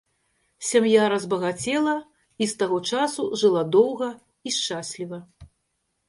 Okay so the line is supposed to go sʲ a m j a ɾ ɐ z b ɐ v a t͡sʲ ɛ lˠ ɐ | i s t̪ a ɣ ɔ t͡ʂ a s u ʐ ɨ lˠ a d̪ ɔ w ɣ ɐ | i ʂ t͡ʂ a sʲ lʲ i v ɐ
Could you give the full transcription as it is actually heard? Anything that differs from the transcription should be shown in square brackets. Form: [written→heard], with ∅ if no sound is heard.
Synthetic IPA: sʲ a m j a ɾ ɐ z b ɐ [v→ɣ] a t͡sʲ ɛ lˠ ɐ | i s t̪ a ɣ ɔ t͡ʂ a s u ʐ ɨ lˠ a d̪ ɔ w ɣ ɐ | i ʂ t͡ʂ a sʲ lʲ i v ɐ